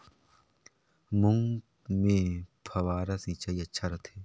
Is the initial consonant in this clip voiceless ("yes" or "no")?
no